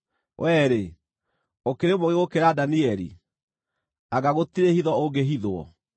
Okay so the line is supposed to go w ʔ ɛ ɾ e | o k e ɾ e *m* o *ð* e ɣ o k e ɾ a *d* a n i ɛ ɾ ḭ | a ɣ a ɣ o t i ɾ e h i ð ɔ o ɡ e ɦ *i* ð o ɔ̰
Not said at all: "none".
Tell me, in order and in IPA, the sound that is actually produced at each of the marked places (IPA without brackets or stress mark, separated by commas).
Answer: m, ɣ, d, i